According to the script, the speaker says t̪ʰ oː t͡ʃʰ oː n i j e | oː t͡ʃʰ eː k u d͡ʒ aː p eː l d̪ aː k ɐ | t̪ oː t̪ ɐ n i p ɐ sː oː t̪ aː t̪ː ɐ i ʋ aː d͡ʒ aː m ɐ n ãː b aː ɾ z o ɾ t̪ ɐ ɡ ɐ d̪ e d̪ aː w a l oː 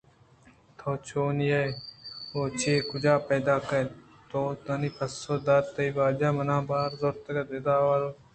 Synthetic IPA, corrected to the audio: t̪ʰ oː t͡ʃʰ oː n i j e | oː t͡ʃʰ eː k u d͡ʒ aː p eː d̪ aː k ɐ | t̪ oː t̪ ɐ n i p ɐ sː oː d̪ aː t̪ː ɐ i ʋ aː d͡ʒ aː m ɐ n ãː b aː ɾ z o ɾ t̪ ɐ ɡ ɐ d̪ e d̪ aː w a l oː